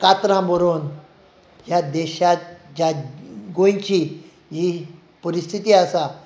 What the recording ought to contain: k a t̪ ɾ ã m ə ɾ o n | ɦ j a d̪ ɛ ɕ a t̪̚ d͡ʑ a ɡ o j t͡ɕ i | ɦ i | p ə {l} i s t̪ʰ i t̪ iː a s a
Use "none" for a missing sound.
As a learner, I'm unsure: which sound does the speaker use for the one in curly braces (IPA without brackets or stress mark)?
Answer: ɾ